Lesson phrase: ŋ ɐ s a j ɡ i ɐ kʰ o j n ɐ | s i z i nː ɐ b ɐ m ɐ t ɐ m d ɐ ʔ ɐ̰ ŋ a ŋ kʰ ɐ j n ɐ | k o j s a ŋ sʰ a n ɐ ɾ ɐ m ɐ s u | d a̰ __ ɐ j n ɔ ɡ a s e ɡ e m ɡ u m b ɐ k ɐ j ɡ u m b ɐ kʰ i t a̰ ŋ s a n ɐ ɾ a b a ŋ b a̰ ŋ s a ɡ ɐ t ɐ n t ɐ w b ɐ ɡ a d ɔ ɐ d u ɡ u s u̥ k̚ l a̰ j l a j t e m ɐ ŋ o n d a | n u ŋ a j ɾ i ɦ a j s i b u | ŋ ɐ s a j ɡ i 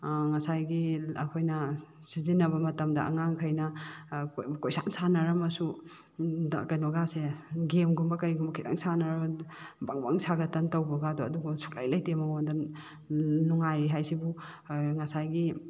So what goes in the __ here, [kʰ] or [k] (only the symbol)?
k